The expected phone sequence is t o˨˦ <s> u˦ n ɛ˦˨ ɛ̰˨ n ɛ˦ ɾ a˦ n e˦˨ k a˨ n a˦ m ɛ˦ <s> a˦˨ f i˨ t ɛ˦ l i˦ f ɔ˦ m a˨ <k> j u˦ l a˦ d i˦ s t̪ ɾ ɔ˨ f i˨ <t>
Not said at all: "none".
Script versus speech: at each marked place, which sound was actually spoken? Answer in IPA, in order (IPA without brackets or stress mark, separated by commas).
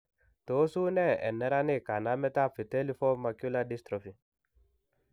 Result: s, t, k, none